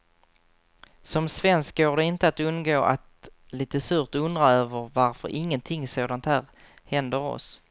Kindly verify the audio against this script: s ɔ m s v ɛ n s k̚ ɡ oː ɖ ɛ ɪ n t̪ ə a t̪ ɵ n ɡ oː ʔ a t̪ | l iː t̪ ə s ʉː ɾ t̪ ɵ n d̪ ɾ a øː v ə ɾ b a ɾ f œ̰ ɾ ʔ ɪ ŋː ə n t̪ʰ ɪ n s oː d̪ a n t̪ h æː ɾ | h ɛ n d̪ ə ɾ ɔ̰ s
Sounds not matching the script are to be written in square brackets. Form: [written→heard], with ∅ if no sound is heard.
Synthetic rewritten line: s ɔ m s v ɛ n s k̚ ɡ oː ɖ ɛ ɪ n t̪ ə a t̪ ɵ n ɡ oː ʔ a t̪ | l iː t̪ ə s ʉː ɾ t̪ ɵ n d̪ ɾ a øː v ə ɾ [b→v] a ɾ f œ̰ ɾ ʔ ɪ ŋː ə n t̪ʰ ɪ [n→ŋ] s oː d̪ a n t̪ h æː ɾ | h ɛ n d̪ ə ɾ ɔ̰ s